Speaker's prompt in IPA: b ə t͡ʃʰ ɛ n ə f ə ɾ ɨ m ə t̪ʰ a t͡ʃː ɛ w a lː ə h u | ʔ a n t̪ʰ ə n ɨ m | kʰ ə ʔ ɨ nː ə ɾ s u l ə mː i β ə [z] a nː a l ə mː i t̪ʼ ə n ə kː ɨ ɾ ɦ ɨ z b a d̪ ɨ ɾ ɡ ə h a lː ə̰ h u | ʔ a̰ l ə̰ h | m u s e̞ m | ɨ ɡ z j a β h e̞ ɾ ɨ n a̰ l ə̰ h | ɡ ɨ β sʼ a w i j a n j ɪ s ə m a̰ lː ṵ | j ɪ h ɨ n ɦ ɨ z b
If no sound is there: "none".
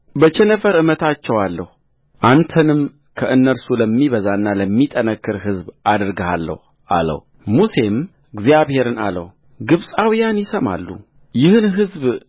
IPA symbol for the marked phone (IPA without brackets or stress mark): z